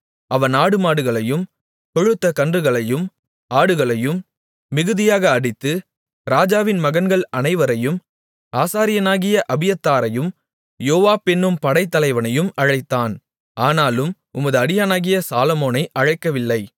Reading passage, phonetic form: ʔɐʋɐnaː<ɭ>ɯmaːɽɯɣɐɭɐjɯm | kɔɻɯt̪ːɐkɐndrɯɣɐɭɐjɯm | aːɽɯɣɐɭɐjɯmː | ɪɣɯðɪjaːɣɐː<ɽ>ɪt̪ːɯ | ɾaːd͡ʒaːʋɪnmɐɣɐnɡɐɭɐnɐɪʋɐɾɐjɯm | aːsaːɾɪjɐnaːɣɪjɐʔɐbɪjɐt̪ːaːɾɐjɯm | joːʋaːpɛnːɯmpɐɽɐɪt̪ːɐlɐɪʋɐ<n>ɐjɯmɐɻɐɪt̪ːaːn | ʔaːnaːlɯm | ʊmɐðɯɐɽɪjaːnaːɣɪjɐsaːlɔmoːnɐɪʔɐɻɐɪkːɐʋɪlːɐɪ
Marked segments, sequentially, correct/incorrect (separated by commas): incorrect, correct, correct